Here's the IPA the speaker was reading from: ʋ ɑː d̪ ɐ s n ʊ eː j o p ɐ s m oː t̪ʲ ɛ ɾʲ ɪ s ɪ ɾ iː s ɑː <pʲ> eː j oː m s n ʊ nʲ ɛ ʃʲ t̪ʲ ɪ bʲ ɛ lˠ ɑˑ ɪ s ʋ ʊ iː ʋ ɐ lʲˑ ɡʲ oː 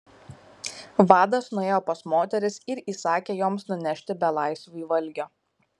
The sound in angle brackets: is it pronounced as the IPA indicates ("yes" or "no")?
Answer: no